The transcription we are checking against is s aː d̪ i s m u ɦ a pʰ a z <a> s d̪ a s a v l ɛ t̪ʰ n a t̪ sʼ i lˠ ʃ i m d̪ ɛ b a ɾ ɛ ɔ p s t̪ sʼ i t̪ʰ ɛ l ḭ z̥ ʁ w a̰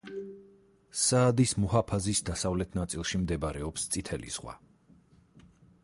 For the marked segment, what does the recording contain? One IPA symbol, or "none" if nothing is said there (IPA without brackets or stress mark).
i